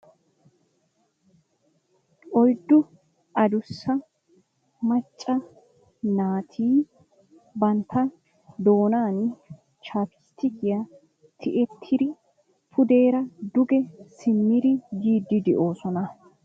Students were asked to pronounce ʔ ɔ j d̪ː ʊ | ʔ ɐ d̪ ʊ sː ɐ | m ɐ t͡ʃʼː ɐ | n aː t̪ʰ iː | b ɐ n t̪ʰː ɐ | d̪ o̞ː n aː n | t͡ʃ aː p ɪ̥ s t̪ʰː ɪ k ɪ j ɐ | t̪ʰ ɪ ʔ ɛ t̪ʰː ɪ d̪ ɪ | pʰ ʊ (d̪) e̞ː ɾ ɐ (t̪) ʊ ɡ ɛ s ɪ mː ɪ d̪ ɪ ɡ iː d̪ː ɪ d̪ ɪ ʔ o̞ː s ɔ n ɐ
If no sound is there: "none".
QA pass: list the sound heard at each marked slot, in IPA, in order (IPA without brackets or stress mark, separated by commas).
d̪, d̪